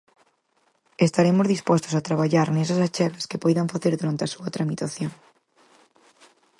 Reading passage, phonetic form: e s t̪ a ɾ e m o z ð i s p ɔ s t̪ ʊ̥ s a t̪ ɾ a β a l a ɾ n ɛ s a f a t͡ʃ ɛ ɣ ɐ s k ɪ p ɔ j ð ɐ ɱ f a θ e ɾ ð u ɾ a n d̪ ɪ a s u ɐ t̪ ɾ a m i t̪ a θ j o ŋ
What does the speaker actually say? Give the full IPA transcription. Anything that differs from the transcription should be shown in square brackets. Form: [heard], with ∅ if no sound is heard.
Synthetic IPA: e s t̪ a ɾ e m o z ð i s p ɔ s t̪ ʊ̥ s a t̪ ɾ a β a [ʎ] a ɾ n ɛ s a [s] a t͡ʃ ɛ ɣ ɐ s k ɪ p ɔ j ð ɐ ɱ f a θ e ɾ ð u ɾ a n [t̪] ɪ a s u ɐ t̪ ɾ a m i t̪ a θ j o ŋ